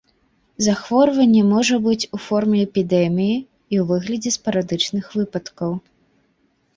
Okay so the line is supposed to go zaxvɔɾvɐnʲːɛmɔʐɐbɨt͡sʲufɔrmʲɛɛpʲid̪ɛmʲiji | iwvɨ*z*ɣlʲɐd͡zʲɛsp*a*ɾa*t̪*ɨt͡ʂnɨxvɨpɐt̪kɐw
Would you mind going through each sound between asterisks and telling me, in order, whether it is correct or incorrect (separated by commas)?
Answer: incorrect, incorrect, incorrect